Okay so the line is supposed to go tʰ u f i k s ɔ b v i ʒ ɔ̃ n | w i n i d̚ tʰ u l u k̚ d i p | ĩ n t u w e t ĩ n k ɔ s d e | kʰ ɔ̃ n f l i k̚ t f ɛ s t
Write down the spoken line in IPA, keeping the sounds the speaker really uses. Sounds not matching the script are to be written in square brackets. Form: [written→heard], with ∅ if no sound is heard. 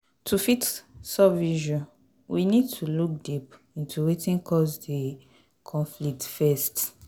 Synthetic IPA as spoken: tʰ u f i [k→t] s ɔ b v i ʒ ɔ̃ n | w i n i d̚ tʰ u l u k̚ d i p | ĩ n t u w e t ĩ n k ɔ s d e | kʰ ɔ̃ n f l i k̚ t f ɛ s t